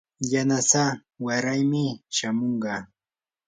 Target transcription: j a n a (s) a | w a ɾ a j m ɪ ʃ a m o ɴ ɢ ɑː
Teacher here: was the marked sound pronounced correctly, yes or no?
yes